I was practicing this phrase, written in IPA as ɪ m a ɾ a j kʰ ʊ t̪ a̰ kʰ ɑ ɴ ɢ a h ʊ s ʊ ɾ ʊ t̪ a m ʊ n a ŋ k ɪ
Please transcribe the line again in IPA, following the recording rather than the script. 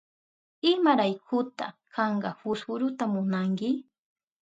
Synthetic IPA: ɪ m a ɾ a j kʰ ʊ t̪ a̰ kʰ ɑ ɴ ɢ ɑ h ʊ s ʊ ɾ ʊ t̪ a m ʊ n a ŋ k ɪ